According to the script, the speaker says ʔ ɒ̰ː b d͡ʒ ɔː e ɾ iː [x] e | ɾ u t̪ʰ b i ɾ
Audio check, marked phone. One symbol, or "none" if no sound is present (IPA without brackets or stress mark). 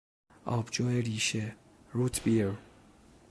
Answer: ʃ